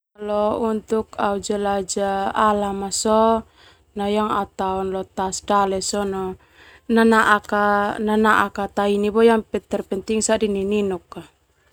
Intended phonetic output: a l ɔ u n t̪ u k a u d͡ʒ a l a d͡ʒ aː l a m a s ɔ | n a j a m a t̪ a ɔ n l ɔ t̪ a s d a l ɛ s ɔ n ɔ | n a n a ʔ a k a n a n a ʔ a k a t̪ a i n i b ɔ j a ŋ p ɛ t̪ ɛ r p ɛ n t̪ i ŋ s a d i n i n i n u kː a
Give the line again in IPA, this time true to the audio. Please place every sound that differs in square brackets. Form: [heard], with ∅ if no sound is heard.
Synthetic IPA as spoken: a l ɔ u n t̪ u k a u d͡ʒ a l a d͡ʒ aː l a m a s ɔ | n a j a [ŋ] a t̪ a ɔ n l ɔ t̪ a s d a l ɛ s ɔ n ɔ | n a n a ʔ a k a n a n a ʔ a k a t̪ a i n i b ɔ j a ŋ p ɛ t̪ ɛ r p ɛ n t̪ i ŋ s a d i n i n i n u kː a